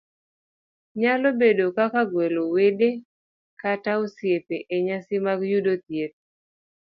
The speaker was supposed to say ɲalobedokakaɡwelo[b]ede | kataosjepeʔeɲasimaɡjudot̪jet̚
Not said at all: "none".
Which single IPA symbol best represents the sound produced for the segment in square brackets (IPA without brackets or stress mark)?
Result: w